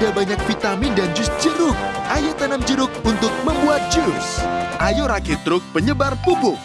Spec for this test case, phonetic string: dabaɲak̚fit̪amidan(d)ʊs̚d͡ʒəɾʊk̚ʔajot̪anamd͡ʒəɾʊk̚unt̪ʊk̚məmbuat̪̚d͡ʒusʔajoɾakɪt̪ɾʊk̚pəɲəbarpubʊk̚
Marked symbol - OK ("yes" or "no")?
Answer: no